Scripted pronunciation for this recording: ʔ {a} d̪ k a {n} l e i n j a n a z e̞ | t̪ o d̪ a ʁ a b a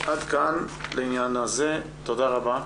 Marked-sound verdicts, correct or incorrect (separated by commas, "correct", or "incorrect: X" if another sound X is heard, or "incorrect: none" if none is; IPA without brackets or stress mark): correct, correct